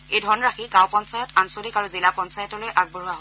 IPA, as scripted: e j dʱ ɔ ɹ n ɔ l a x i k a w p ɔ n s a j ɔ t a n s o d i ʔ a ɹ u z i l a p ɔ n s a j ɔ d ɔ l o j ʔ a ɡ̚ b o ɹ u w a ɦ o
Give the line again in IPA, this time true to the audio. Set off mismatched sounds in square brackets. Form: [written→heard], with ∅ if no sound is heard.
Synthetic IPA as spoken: e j dʱ ɔ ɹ n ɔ [l→ɹ] a x i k a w p ɔ n s a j ɔ t a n s o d i [ʔ→k] a ɹ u z i l a p ɔ n s a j ɔ [d→t] ɔ l o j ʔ a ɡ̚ b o ɹ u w a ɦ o